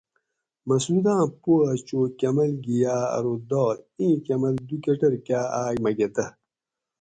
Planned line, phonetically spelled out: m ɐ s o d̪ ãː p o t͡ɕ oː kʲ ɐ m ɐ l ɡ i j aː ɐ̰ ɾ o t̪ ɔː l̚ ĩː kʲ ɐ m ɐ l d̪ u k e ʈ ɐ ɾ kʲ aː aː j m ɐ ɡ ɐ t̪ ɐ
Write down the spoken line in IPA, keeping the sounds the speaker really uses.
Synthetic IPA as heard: m ɐ s u d̪ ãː p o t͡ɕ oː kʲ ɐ m ɐ l ɡ i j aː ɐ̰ ɾ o d̪ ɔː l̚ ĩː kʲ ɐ m ɐ l d̪ u k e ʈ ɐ ɾ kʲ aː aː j m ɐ ɡ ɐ t̪ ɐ